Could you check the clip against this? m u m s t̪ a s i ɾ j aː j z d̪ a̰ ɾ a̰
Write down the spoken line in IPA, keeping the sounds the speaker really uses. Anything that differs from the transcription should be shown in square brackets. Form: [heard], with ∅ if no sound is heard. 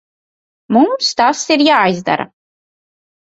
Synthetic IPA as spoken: m u m s t̪ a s i ɾ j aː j z d̪ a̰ ɾ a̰